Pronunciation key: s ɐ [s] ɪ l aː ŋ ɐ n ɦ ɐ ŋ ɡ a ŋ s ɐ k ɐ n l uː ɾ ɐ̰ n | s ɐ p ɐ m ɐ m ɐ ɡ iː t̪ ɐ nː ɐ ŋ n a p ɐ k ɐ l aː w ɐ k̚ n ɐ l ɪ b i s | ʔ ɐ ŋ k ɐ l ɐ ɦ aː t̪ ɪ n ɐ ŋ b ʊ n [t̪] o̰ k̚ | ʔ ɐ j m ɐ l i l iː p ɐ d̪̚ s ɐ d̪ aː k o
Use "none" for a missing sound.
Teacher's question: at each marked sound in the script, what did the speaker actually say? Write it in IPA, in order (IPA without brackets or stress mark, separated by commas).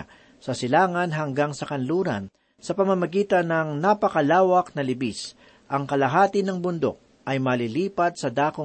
s, d̪